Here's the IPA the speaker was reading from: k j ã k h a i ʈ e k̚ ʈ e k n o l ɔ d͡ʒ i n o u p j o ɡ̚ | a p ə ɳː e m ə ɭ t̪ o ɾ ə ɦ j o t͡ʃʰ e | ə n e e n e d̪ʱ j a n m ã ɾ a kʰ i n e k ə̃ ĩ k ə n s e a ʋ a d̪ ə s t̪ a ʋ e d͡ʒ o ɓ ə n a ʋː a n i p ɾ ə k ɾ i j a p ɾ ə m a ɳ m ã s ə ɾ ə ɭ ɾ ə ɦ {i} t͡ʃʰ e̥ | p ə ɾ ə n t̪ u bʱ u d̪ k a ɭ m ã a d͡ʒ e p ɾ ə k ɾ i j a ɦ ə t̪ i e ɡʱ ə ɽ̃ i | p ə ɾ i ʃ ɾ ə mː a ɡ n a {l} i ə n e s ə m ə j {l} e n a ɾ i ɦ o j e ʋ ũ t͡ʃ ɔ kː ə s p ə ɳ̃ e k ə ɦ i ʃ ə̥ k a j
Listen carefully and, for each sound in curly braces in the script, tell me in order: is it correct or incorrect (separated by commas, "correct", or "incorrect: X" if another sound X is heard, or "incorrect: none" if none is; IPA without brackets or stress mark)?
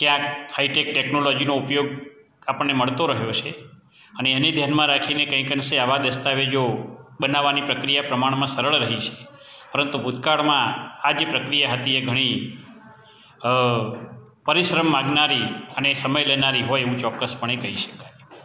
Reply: correct, incorrect: ɾ, correct